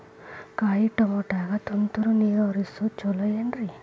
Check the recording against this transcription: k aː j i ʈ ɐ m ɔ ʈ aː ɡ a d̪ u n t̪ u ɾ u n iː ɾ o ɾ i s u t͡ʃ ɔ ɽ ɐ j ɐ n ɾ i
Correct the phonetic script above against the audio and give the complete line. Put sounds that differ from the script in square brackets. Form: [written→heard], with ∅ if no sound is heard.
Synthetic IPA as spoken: k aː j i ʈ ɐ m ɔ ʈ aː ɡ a [d̪→t̪] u n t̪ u ɾ u n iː ɾ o ɾ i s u t͡ʃ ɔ [ɽ→l] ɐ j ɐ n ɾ i